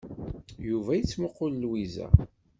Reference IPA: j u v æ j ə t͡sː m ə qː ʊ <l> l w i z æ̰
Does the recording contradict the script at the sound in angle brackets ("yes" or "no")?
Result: no